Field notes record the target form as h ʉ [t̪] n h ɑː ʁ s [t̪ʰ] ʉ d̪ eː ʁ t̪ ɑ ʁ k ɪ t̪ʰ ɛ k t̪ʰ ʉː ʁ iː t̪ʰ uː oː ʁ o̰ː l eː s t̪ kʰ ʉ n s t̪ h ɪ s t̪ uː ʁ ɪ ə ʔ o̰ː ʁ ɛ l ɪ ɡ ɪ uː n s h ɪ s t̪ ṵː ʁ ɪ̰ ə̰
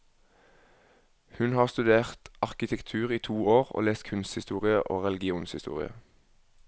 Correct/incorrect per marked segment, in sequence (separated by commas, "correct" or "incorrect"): incorrect, incorrect